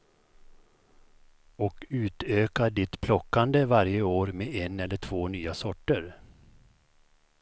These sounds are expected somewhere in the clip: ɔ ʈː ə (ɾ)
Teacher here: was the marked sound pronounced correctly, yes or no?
yes